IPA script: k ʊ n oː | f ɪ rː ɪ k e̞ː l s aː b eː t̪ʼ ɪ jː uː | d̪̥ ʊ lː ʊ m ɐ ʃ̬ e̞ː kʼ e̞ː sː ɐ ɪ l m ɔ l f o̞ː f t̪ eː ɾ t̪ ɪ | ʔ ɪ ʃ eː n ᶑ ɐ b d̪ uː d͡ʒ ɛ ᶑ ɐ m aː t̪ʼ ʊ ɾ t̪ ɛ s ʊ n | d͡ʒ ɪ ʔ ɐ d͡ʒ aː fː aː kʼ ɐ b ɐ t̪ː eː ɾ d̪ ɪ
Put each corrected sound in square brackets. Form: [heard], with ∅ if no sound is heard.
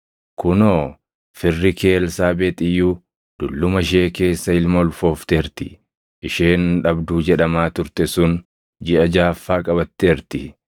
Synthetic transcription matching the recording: k ʊ n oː | f ɪ rː ɪ k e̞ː l s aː b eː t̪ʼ ɪ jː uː | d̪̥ ʊ lː ʊ m ɐ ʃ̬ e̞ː [k] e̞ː sː ɐ ɪ l m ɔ l f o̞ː f t̪ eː ɾ t̪ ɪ | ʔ ɪ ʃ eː n ᶑ ɐ b d̪ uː d͡ʒ ɛ ᶑ ɐ m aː [t̪] ʊ ɾ t̪ ɛ s ʊ n | d͡ʒ ɪ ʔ ɐ d͡ʒ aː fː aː kʼ ɐ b ɐ t̪ː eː ɾ [t̪] ɪ